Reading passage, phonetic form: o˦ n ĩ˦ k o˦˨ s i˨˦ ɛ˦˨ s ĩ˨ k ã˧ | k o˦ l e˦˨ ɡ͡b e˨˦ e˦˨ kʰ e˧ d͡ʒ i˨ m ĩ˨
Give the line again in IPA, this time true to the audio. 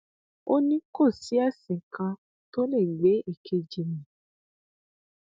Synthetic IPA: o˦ n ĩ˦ k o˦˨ s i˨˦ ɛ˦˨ s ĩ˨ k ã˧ | t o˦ l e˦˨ ɡ͡b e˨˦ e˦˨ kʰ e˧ d͡ʒ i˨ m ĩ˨